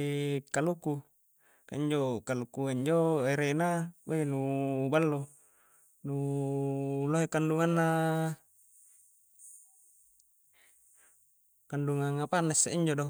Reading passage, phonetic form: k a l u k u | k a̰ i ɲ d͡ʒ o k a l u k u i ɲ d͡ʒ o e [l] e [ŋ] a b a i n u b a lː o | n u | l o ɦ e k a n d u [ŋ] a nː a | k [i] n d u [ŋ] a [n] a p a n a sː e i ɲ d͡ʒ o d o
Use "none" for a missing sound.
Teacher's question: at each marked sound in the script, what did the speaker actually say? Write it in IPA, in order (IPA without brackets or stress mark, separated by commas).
ɾ, n, ŋ, a, ŋ, ŋ